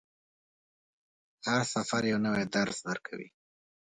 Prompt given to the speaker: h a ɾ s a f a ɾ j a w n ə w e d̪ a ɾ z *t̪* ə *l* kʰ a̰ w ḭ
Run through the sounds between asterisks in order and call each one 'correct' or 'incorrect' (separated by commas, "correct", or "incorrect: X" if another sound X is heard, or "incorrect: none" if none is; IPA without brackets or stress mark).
incorrect: d̪, incorrect: ɾ